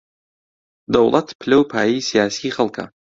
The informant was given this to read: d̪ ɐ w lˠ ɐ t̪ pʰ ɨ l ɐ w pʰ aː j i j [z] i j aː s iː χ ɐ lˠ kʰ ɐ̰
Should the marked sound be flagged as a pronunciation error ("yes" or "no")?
yes